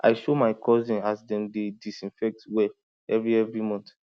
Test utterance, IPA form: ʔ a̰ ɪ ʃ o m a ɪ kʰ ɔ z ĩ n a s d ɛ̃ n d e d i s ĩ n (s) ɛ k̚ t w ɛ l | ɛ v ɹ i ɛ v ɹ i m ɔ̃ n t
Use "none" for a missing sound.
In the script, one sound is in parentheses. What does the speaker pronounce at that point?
f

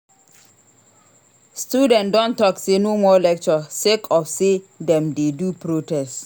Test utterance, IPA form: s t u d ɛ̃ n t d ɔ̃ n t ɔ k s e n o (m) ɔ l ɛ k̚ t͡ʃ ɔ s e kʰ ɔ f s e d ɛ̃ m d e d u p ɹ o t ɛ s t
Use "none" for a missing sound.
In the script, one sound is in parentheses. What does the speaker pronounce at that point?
m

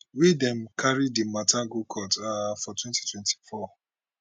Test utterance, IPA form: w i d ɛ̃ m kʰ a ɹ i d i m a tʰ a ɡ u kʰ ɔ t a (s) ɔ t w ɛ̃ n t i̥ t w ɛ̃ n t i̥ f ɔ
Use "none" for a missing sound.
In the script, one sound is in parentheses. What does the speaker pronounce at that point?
f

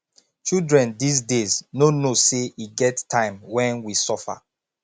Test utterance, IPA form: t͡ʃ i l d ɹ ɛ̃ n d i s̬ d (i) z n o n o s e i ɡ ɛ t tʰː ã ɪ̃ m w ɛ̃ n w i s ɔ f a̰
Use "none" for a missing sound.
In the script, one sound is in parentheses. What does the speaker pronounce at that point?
e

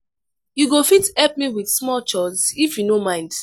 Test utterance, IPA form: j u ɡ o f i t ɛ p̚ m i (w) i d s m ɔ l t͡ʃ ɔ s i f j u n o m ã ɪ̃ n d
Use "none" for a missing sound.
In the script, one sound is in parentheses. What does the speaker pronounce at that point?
w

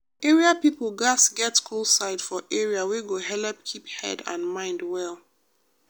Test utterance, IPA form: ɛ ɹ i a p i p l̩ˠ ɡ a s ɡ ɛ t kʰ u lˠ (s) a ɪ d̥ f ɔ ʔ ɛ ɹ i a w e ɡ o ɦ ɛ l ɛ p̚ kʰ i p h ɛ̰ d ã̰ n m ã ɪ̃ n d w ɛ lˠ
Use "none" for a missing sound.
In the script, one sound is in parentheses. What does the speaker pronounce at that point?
s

